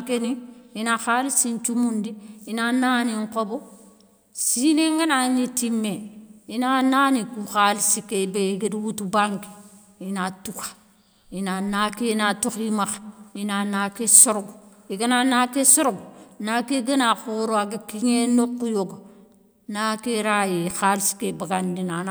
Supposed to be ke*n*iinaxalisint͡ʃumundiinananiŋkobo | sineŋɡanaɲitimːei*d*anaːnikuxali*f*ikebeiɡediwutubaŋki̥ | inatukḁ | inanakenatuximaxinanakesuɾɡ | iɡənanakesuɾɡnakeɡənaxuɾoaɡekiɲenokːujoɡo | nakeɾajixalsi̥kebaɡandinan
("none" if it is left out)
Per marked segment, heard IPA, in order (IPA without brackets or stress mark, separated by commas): n, n, s